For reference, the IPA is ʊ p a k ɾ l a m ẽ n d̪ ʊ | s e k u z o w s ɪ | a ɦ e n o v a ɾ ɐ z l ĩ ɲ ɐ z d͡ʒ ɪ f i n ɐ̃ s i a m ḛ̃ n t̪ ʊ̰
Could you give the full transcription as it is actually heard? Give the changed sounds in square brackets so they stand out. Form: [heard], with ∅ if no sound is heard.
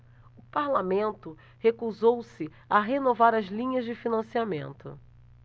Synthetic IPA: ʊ p a [∅] ɾ l a m ẽ n [t̪] ʊ | [h] e k u z o w s ɪ | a ɦ e n o v a ɾ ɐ z l ĩ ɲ ɐ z d͡ʒ ɪ f i n ɐ̃ s i a m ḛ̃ n t̪ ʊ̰